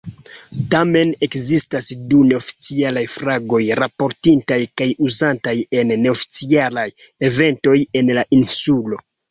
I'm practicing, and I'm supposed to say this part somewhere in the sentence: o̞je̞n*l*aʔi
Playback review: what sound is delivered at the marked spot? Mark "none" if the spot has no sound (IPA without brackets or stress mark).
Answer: l